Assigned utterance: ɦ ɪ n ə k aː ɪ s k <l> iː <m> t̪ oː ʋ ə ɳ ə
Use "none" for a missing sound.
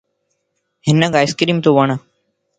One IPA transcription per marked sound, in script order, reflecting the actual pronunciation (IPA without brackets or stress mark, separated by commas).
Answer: ɾ, m